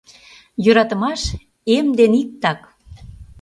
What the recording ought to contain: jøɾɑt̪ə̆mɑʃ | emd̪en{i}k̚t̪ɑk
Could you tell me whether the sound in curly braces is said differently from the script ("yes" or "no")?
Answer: no